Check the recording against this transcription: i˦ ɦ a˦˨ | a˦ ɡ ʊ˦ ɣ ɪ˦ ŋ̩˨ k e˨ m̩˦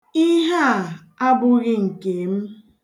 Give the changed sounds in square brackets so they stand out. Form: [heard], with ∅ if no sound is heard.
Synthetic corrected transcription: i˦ ɦ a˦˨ | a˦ [b] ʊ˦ ɣ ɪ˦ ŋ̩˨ k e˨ m̩˦